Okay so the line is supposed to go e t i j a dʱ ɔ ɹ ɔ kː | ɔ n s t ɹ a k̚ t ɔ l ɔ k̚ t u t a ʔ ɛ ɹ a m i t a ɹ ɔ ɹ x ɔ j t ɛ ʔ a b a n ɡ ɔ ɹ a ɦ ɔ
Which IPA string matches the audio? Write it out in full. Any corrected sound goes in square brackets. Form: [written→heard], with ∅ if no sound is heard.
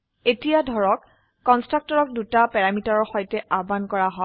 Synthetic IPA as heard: e t i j a dʱ ɔ ɹ ɔ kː | ɔ n s t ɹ a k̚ t ɔ [l→ɹ] ɔ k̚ [t→d] u t a [ʔ→p] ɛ ɹ a m i t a ɹ ɔ ɹ x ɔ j t ɛ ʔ a b a n [ɡ→k] ɔ ɹ a ɦ ɔ